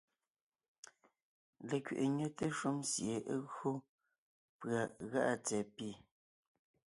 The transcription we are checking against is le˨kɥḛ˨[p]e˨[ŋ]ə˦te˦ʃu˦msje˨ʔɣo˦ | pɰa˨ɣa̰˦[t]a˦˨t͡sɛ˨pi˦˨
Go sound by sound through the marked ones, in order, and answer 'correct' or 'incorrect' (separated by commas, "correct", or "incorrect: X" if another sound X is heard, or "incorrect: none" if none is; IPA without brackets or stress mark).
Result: incorrect: ʔ, incorrect: ɲ, incorrect: ʔ